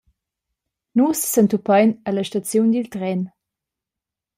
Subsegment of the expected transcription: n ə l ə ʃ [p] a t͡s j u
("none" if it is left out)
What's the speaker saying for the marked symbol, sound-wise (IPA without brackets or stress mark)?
t